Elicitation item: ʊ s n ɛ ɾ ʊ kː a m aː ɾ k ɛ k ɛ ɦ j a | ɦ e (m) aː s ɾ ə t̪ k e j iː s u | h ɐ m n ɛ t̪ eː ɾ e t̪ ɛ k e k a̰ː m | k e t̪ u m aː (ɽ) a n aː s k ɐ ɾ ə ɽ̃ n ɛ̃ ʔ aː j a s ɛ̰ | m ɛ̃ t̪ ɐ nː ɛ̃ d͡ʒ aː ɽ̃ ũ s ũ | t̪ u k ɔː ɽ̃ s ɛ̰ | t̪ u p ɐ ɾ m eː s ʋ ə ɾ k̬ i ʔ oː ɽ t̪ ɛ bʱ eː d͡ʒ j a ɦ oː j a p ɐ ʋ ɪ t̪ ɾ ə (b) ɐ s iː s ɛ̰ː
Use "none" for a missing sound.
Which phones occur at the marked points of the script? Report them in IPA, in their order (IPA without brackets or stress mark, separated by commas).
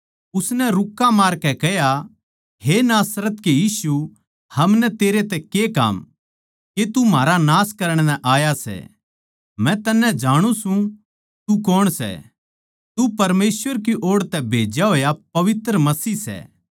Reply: n, ɾ, m